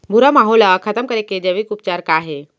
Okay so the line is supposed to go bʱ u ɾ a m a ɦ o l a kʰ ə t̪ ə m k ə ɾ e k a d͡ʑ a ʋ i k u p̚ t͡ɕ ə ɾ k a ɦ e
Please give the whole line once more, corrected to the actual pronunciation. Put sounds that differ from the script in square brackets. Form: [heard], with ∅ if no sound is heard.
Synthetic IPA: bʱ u ɾ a m a ɦ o l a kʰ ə t̪ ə m k ə ɾ e k [e] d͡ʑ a ʋ i k u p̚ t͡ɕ [a] ɾ k a ɦ e